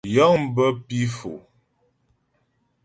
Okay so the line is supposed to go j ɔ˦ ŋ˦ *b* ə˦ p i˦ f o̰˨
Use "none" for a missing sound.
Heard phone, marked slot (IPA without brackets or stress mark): b